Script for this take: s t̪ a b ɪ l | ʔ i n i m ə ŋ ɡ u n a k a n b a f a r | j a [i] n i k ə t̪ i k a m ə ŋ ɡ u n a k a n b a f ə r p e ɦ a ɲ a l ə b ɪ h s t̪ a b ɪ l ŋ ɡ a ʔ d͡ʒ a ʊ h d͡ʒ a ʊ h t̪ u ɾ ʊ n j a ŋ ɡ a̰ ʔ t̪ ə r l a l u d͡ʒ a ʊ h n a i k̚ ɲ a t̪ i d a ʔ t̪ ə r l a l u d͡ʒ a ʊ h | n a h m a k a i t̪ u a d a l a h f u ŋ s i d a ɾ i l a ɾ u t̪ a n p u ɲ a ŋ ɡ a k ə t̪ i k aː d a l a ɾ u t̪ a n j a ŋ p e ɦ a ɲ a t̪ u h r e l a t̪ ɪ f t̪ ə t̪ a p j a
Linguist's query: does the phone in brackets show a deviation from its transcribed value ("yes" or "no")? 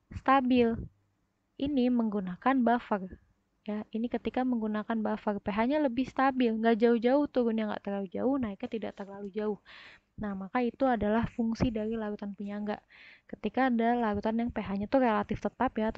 no